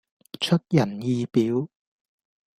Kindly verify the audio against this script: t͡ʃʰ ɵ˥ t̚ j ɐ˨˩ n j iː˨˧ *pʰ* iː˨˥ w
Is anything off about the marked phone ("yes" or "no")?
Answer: yes